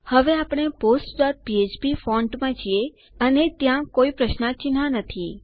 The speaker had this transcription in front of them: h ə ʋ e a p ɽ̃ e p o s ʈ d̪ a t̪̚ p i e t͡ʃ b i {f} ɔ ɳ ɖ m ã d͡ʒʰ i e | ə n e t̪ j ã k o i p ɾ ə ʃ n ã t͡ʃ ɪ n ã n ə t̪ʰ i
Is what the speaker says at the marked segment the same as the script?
yes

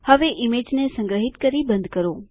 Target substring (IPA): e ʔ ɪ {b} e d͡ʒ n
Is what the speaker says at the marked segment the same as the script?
no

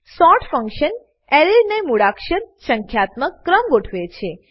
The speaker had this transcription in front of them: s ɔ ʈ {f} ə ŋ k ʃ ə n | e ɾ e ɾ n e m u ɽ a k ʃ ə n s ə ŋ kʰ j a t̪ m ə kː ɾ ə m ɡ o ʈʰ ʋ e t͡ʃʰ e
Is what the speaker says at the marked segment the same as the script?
yes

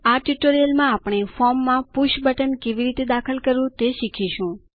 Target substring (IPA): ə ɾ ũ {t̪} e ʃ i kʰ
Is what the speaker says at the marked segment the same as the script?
yes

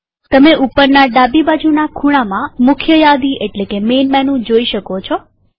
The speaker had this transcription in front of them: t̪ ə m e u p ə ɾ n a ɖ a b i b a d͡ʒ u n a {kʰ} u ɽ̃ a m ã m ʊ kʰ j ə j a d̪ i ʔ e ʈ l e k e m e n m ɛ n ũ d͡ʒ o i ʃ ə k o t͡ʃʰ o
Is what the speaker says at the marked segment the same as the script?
yes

